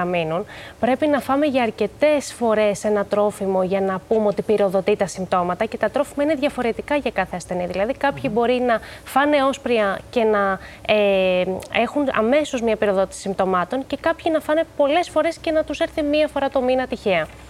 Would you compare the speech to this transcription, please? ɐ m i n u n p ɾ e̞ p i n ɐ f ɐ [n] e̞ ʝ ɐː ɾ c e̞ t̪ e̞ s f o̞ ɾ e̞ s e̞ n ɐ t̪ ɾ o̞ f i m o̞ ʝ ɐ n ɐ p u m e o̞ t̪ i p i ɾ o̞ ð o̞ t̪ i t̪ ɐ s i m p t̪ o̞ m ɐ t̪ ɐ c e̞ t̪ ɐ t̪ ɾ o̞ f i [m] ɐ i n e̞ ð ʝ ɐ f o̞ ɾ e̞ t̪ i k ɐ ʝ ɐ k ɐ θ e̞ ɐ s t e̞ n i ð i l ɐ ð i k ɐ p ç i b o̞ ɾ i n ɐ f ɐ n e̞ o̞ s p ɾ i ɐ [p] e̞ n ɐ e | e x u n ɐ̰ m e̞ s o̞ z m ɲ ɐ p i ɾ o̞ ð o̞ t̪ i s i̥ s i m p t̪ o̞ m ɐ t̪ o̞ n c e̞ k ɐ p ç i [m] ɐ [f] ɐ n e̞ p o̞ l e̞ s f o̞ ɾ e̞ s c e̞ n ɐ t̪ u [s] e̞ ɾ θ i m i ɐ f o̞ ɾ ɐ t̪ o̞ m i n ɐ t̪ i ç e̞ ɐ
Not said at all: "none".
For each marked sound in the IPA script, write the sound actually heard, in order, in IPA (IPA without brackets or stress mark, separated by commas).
m, m, c, n, f, s